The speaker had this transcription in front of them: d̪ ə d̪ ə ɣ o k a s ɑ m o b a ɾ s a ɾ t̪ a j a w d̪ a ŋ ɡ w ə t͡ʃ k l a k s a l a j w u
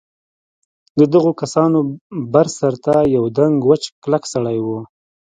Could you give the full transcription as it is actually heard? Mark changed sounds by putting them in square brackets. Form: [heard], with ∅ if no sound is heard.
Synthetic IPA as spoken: d̪ ə d̪ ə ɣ o k a s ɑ [n] o b a ɾ s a ɾ t̪ a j a w d̪ a ŋ ɡ w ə t͡ʃ k l a k s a [ɽ] a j w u